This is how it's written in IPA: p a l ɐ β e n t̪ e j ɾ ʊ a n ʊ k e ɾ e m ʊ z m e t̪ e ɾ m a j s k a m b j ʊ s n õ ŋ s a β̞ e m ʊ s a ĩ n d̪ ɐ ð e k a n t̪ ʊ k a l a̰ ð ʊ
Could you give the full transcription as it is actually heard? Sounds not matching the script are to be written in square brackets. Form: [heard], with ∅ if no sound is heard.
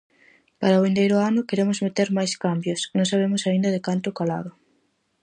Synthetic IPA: p a [ɾ] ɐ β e n [d̪] e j ɾ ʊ a n ʊ k e ɾ e m ʊ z m e t̪ e ɾ m a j s k a m b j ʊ s n õ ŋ s a β̞ e m ʊ s a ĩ n d̪ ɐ ð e k a n t̪ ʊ k a l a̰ ð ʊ